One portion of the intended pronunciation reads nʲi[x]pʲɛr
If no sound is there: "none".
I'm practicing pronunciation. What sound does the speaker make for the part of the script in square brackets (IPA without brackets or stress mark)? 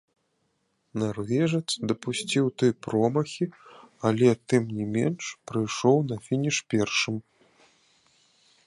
ʂ